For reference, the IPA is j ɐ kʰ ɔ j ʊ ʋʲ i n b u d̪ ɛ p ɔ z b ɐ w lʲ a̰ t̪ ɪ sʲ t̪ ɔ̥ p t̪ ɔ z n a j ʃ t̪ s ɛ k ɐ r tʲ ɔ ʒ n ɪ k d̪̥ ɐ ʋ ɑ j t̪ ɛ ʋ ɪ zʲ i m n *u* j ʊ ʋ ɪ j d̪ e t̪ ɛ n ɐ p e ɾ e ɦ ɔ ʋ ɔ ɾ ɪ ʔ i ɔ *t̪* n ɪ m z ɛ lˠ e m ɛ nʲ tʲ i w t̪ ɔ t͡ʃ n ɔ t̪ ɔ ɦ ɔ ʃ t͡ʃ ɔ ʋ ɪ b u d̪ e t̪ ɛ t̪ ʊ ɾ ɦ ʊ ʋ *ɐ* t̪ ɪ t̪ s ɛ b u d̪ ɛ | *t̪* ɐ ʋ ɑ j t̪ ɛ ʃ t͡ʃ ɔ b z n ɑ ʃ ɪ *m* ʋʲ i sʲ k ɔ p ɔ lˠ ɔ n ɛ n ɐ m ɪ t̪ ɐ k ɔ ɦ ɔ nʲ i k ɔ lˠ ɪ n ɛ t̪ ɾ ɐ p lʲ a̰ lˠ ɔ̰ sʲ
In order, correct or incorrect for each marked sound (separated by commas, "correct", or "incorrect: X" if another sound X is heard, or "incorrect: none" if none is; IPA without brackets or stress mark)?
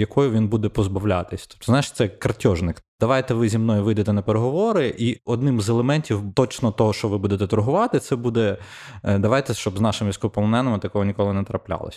incorrect: ɔ, incorrect: d̪, incorrect: ɑ, incorrect: d̪, correct